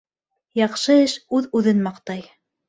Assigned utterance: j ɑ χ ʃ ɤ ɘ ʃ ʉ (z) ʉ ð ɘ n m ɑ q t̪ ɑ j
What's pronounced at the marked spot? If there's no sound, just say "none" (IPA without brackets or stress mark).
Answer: ð